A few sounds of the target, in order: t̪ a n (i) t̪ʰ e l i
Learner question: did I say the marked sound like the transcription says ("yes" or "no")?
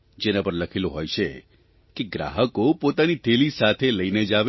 yes